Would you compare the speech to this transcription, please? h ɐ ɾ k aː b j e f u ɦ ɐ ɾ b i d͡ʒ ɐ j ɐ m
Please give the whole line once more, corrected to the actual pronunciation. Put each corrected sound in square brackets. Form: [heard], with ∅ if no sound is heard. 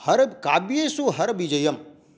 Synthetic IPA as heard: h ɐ ɾ k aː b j e [s] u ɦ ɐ ɾ b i d͡ʒ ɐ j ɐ m